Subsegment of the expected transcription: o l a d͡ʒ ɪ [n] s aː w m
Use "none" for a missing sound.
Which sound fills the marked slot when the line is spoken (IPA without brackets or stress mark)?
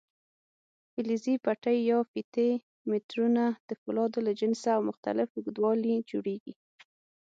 n